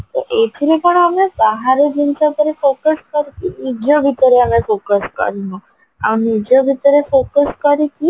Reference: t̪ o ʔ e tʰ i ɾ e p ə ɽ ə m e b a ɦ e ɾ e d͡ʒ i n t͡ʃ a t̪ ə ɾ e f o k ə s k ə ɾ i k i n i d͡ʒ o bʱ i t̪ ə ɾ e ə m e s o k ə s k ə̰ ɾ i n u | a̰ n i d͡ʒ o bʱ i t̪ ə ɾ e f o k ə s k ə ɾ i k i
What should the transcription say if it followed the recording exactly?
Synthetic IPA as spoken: t̪ o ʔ e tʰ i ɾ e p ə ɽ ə m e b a ɦ a ɾ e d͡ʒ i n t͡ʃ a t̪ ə ɾ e f o k ə s k ə ɾ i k i n i d͡ʒ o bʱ i t̪ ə ɾ e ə m e f o k ə s k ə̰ ɾ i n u | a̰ n i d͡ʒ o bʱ i t̪ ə ɾ e f o k ə s k ə ɾ i k i